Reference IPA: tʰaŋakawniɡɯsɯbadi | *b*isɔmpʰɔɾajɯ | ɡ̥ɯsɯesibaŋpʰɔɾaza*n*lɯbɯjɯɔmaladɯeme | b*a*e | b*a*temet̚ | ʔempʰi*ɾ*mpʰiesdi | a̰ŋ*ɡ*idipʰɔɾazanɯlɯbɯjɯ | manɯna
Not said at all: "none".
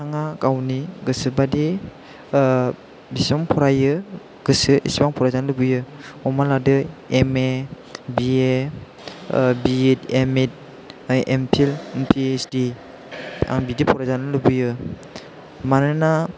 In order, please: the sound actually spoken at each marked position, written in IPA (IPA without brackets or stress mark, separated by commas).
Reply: b, n, i, i, l, b